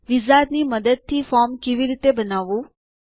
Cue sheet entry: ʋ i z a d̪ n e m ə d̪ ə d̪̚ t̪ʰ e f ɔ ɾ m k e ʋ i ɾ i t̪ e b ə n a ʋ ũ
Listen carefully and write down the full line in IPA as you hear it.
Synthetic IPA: ʋ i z a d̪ n i m ə d̪ ə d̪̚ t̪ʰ i f ɔ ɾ m k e ʋ i ɾ i t̪ e b ə n a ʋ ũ